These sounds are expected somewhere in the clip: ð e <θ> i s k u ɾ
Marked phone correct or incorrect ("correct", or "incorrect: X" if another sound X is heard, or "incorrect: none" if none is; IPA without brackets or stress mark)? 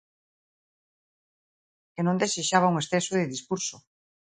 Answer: incorrect: ð